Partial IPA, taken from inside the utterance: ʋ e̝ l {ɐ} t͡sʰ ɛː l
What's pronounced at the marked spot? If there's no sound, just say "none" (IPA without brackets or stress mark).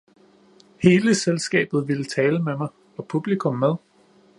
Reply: ə